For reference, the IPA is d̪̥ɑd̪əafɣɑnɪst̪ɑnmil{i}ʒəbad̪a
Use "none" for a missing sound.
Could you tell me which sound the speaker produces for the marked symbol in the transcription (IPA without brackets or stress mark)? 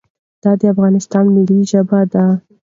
i